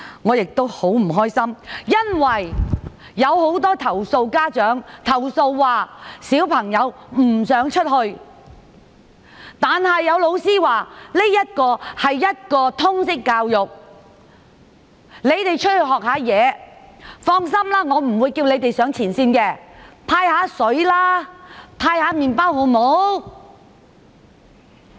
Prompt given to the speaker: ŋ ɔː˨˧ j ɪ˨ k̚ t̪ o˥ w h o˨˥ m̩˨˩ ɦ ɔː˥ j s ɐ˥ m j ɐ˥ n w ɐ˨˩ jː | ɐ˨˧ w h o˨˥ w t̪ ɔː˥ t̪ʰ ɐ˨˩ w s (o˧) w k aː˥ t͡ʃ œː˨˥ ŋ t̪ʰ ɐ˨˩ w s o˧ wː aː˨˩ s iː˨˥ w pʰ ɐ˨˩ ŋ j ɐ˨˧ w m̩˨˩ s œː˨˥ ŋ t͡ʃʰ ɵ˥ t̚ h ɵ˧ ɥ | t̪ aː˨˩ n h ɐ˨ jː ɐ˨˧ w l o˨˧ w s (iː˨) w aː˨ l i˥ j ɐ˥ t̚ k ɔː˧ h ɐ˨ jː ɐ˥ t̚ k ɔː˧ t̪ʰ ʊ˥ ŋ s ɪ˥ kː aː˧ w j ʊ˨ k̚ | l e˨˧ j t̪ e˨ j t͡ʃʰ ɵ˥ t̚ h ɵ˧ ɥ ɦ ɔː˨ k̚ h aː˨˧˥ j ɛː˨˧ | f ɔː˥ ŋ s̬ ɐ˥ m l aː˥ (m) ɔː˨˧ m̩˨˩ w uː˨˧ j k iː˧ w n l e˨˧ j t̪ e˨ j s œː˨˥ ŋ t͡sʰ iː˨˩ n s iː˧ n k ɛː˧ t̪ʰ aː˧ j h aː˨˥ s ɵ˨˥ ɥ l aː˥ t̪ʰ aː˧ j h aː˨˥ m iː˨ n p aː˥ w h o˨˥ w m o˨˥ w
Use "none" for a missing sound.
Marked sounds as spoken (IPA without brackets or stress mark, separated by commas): o˧, iː˥, ŋ